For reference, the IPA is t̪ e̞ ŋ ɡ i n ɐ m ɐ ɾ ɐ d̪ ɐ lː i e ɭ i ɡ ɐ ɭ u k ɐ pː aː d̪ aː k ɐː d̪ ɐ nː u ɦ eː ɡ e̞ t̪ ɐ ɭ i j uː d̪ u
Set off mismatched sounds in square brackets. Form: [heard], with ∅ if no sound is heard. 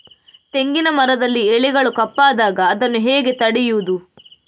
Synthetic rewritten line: t̪ e̞ ŋ ɡ i n ɐ m ɐ ɾ ɐ d̪ ɐ lː i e ɭ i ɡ ɐ ɭ u k ɐ pː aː d̪ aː [ɡ] ɐː d̪ ɐ nː u ɦ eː ɡ e̞ t̪ ɐ [ɽ] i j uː d̪ u